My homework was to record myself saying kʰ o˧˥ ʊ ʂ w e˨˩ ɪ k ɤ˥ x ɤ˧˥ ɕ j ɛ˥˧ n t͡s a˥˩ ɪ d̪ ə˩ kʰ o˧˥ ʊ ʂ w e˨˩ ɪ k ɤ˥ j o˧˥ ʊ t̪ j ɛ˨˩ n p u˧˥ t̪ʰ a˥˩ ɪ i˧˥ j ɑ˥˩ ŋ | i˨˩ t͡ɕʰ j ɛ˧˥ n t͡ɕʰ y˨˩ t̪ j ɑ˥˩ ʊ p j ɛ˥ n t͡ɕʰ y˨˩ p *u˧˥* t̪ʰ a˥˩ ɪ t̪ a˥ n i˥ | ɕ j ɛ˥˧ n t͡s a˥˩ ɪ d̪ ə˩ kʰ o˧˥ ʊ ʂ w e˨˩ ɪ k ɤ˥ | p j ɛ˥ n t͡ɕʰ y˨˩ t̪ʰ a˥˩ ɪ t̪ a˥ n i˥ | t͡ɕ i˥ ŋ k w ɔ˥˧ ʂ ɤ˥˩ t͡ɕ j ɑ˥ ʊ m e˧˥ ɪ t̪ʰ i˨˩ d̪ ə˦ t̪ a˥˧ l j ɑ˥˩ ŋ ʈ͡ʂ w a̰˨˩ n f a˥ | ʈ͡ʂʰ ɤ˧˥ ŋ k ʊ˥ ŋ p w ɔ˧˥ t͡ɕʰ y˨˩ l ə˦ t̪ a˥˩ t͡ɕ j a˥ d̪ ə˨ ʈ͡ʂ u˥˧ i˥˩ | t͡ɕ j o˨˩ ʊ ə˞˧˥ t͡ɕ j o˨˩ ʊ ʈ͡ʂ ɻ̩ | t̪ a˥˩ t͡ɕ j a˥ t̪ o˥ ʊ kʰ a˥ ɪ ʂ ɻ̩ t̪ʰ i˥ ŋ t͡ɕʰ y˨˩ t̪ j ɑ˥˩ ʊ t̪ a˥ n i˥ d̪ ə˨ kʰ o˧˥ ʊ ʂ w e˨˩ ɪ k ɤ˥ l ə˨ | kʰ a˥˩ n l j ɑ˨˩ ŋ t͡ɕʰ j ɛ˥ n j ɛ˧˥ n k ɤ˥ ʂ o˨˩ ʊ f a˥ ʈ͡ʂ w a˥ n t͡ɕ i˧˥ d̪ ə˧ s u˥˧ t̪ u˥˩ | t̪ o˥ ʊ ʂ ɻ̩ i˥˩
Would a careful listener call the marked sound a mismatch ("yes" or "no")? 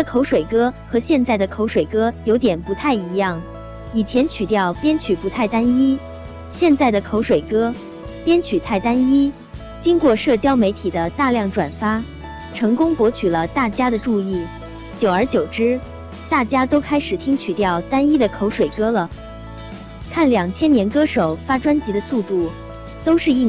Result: no